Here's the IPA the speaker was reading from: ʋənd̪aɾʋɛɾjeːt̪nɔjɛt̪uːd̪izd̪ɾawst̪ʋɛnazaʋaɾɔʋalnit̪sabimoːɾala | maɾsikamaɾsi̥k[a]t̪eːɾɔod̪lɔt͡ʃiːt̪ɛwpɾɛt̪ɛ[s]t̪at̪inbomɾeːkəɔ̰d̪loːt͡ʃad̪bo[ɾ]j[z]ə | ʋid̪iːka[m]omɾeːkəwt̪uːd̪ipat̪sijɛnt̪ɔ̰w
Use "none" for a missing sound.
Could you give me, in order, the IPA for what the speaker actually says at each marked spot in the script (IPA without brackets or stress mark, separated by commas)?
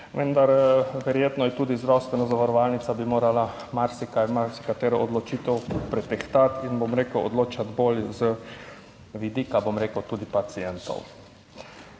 a, x, l, z, b